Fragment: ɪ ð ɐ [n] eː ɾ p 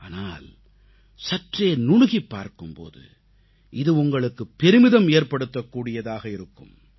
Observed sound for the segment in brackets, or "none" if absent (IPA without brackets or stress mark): m